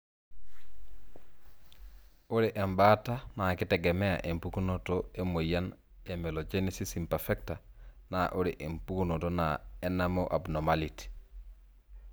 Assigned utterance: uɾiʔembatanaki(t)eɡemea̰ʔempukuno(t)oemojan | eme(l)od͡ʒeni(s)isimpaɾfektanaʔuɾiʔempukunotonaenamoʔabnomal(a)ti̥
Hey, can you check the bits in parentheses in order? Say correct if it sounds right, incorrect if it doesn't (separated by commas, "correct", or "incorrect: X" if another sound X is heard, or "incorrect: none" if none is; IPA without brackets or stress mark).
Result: correct, correct, correct, correct, incorrect: i